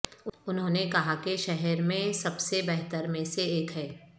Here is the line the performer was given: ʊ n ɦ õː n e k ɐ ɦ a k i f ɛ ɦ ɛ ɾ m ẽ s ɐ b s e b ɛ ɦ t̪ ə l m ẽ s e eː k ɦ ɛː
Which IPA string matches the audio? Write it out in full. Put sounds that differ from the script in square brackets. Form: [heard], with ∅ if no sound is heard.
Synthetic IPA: ʊ n ɦ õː n e k ɐ ɦ a k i [ʃ] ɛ ɦ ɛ ɾ m ẽ s ɐ b s e b ɛ ɦ t̪ ə [ɾ] m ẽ s e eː k ɦ ɛː